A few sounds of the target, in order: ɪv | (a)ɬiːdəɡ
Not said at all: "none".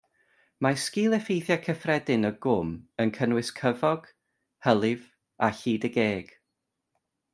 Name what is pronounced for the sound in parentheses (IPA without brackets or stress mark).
a